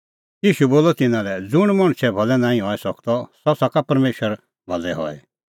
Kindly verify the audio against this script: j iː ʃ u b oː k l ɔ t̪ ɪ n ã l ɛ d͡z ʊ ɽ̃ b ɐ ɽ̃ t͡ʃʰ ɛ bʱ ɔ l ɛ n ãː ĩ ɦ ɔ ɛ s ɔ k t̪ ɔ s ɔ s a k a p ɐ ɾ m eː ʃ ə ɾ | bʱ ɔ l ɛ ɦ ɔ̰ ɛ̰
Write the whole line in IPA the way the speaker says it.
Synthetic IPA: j iː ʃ u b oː l ɔ t̪ ɪ n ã l ɛ d͡z ʊ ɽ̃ m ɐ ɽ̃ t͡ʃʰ ɛ bʱ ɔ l ɛ n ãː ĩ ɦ ɔ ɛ s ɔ k t̪ ɔ s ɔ s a k a p ɐ ɾ m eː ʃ ə ɾ | bʱ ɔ l ɛ ɦ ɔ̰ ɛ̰